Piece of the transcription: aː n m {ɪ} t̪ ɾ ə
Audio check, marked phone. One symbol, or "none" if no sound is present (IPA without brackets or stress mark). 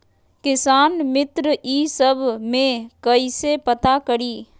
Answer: ɪ